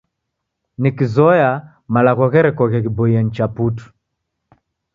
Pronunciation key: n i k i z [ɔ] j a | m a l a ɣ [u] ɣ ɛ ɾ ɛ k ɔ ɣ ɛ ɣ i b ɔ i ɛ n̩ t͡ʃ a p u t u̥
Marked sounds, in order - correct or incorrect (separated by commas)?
correct, incorrect